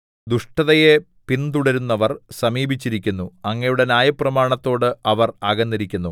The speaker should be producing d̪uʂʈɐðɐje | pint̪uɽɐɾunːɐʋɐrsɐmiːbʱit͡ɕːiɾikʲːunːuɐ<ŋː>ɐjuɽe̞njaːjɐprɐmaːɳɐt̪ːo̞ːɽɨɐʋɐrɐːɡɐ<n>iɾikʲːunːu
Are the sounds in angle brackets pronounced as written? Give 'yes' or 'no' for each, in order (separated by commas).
yes, no